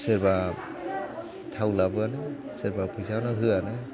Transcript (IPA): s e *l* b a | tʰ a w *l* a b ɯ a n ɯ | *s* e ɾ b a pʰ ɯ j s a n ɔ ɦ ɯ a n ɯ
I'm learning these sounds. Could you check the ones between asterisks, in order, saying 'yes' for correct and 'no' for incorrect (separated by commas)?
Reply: no, yes, yes